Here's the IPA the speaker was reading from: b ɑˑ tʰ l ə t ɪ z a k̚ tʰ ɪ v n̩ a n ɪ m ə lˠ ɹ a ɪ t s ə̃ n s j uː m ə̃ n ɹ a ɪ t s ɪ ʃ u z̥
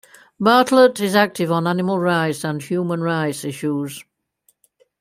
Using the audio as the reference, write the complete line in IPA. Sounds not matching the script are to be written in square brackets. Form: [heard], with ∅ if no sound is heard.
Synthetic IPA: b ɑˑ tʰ l ə t ɪ z a k̚ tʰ ɪ v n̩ a n ɪ m ə lˠ ɹ a ɪ t s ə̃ n [h] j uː m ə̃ n ɹ a ɪ t s ɪ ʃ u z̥

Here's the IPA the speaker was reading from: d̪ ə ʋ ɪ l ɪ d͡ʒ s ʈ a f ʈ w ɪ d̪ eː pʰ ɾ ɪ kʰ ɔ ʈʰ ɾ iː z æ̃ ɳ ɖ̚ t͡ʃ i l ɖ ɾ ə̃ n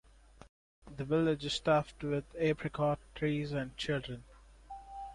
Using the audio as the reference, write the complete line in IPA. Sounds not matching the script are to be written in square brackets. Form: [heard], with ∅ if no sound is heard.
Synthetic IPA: d̪ ə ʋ ɪ l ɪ d͡ʒ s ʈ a f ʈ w ɪ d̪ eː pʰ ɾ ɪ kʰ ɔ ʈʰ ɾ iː z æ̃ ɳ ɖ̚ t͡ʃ [ɪ] l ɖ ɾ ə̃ n

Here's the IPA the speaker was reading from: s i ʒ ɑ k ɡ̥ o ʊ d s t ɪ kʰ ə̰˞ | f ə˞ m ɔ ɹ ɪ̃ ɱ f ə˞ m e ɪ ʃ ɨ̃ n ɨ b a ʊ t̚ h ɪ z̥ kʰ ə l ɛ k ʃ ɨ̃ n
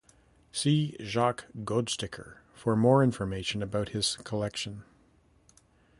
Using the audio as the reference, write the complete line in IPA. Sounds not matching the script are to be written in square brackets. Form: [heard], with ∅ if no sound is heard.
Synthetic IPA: s i ʒ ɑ k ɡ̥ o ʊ d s t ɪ kʰ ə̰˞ | f ə˞ m ɔ ɹ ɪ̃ ɱ f ə˞ m e ɪ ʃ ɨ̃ n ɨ b a ʊ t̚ h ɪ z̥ kʰ ə l ɛ k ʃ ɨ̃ n

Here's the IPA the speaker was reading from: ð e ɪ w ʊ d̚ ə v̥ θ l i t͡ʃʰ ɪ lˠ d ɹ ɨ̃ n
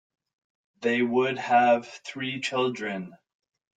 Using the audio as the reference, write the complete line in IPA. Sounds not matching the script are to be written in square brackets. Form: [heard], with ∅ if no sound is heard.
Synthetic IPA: ð e ɪ w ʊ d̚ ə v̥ θ [ɹ] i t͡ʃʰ ɪ lˠ d ɹ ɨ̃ n

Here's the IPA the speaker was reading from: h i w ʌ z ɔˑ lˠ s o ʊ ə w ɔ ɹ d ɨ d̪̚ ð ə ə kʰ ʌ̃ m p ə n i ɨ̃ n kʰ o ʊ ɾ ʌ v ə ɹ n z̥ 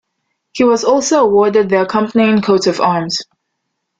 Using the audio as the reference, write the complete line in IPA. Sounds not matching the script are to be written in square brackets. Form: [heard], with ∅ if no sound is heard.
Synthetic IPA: h i w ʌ z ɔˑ lˠ s o ʊ ə w ɔ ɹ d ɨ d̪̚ ð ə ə kʰ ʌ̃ m p ə n i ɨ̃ n kʰ o ʊ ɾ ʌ v [ɑ] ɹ [m] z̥

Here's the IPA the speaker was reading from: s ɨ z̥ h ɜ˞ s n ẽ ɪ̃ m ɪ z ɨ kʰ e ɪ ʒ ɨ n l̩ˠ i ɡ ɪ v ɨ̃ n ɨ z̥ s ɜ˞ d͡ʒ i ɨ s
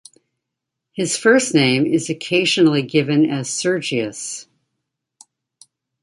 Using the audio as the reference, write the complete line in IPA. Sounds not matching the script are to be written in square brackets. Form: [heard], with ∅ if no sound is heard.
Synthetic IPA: [h] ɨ z̥ [f] ɜ˞ s n ẽ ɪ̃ m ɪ z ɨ kʰ e ɪ ʒ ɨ n l̩ˠ i ɡ ɪ v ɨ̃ n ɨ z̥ s ɜ˞ d͡ʒ i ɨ s

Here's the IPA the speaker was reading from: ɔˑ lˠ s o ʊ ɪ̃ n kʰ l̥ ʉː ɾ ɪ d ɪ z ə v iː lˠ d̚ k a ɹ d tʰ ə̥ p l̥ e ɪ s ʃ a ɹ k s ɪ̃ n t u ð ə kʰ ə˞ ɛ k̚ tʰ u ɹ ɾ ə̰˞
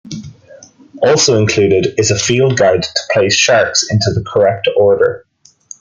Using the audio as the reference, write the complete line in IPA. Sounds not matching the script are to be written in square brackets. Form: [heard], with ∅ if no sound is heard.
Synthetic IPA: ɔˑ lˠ s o ʊ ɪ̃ n kʰ l̥ ʉː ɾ ɪ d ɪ z ə [f] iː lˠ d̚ [ɡ] a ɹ d tʰ ə̥ [pʰ] l̥ e ɪ s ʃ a ɹ k s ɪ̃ n t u ð ə kʰ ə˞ ɛ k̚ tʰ [ɔ] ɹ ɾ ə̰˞

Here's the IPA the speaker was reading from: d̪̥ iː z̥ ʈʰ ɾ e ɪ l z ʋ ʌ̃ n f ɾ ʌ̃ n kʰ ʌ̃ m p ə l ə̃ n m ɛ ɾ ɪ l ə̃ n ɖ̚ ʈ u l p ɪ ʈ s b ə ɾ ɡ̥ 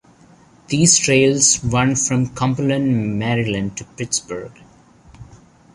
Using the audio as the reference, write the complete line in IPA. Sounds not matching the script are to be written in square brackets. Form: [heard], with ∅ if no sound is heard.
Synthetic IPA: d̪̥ iː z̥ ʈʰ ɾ e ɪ l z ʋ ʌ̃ n f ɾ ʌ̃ [m] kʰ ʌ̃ m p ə l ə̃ n m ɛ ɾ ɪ l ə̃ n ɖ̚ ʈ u [∅] p ɪ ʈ s b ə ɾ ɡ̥

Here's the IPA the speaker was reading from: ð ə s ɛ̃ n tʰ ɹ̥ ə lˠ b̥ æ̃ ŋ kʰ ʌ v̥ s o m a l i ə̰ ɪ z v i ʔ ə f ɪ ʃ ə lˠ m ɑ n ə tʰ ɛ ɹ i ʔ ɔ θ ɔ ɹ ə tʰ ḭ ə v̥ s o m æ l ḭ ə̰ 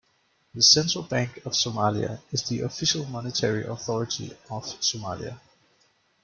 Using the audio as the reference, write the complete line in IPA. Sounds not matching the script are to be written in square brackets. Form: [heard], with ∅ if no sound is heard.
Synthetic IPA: ð ə s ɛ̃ n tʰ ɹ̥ ə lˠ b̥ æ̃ ŋ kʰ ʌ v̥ s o m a l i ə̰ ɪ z [ð] i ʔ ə f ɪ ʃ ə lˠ m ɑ n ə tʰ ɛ ɹ i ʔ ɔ θ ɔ ɹ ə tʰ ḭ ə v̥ s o m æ l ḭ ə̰

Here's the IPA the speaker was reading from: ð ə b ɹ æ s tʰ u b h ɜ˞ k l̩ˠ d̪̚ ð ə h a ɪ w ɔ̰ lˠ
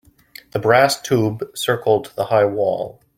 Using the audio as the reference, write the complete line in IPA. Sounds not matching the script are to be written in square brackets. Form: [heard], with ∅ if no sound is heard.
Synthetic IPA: ð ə b ɹ æ s tʰ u b [s] ɜ˞ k l̩ˠ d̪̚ ð ə h a ɪ w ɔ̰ lˠ

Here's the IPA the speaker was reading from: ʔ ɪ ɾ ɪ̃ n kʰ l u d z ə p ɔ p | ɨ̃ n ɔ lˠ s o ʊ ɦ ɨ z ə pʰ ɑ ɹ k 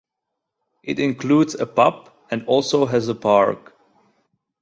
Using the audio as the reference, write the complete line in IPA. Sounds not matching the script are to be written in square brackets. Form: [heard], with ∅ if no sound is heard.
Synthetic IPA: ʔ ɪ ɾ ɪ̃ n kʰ l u d z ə p [ʌ] p | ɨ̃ n ɔ lˠ s o ʊ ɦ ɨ z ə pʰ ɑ ɹ k

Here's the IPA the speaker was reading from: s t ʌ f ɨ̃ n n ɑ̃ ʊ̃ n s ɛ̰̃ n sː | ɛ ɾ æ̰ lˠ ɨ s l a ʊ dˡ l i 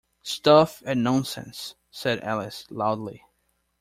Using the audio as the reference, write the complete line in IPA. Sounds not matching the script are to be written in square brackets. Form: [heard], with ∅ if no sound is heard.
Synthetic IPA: s t ʌ f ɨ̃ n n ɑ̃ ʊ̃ n s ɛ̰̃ n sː | ɛ ɾ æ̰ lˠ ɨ s l a ʊ dˡ l i

